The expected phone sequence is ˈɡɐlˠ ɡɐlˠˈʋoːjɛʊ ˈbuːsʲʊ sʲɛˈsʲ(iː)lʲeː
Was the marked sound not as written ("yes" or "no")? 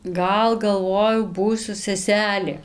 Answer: yes